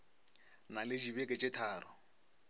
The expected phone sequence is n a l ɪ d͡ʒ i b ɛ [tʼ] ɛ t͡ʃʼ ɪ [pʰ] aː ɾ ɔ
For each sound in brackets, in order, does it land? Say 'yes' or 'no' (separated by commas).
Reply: no, no